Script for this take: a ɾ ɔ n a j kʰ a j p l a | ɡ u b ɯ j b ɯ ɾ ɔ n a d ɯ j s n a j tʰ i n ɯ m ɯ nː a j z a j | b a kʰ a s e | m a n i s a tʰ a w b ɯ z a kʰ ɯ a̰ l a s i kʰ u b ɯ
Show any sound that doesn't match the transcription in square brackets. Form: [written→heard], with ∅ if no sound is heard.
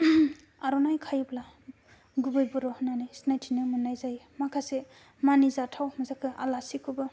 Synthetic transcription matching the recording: a ɾ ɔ n a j kʰ a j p l a | ɡ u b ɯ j b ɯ ɾ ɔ n a [d→n] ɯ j s n a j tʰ i n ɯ m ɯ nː a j z a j | [b→m] a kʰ a s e | m a n i [s→z] a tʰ a w [b→m] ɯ z a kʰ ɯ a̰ l a s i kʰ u b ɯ